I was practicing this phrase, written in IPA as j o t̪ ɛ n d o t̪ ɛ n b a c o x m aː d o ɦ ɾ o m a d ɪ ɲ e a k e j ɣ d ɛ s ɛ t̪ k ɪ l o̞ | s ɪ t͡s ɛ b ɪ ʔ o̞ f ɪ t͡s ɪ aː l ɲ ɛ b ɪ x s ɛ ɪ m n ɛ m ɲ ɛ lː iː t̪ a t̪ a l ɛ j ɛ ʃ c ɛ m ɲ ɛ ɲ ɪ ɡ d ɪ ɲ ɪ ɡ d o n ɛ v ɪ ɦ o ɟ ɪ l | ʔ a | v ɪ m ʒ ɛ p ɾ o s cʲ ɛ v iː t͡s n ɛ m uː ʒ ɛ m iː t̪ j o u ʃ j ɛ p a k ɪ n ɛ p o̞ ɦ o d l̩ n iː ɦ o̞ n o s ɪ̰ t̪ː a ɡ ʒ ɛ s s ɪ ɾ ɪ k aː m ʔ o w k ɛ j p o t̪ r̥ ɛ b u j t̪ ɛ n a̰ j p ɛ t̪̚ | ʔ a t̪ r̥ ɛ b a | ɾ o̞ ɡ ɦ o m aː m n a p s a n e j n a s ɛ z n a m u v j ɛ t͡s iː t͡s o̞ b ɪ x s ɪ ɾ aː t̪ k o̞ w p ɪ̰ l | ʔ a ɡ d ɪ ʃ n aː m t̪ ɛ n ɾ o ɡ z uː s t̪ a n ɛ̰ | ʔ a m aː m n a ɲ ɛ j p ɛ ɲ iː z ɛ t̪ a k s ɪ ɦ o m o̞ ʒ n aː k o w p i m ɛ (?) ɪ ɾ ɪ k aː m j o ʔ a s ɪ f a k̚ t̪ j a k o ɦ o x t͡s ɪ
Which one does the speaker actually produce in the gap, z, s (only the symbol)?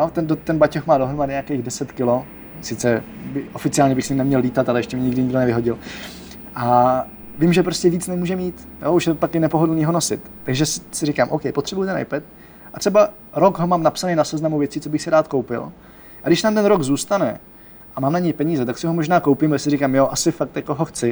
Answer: s